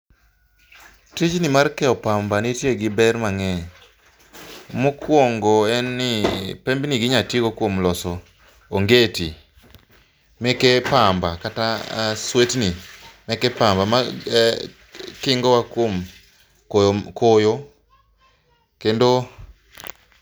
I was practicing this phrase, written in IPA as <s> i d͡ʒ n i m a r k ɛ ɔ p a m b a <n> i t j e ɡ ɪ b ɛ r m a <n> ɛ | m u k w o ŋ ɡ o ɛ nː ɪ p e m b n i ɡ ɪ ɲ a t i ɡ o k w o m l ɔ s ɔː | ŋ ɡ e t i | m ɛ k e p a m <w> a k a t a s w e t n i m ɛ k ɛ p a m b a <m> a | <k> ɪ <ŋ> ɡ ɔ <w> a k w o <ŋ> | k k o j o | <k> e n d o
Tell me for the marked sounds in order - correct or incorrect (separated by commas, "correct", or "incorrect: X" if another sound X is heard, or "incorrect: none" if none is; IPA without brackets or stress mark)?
incorrect: t, correct, incorrect: ŋ, incorrect: b, correct, correct, correct, correct, incorrect: m, correct